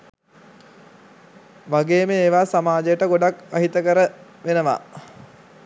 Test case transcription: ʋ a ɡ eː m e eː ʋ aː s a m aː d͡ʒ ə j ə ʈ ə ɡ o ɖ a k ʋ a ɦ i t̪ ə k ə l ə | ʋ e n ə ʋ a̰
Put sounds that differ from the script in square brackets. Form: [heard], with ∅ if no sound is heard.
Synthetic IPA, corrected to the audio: ʋ a ɡ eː m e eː ʋ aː s a m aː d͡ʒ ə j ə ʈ ə ɡ o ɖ a k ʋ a ɦ i t̪ ə k ə [ɾ] ə | ʋ e n ə ʋ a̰